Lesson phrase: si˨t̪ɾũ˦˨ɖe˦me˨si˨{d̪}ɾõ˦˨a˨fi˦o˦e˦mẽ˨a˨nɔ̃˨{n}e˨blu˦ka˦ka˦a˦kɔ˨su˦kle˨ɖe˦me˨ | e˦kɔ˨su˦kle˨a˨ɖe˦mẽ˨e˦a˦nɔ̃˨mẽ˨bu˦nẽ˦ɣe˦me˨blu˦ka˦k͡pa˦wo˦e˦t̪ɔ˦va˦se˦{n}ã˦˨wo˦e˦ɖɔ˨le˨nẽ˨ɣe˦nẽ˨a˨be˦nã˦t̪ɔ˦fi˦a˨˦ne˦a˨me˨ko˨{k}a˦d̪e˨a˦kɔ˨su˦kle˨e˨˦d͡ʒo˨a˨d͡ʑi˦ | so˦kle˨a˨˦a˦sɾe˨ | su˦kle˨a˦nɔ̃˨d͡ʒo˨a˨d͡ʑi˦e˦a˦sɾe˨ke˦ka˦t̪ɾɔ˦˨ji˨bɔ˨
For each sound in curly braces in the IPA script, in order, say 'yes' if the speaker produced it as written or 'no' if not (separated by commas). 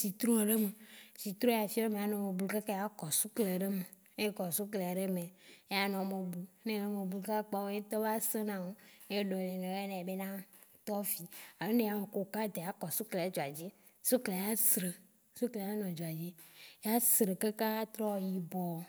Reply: no, no, yes, yes